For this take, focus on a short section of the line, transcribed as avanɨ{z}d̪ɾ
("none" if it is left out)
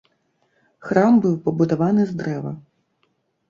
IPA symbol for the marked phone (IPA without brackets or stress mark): z